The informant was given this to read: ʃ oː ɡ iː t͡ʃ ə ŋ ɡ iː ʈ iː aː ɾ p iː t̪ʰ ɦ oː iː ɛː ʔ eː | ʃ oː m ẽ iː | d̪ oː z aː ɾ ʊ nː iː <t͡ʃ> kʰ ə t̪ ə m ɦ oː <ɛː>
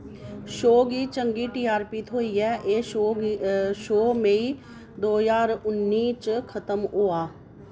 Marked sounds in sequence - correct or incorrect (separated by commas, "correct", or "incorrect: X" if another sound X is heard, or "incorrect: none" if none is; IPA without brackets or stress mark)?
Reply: correct, incorrect: aː